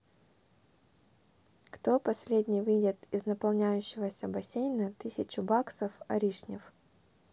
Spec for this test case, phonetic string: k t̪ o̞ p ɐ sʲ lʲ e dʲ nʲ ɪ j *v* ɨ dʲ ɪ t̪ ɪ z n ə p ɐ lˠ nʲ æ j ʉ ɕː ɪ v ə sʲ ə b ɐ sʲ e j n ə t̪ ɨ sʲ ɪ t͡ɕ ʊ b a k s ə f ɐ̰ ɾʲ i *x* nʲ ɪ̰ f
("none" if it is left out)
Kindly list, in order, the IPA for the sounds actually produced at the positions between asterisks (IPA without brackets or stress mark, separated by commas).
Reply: v, ʂ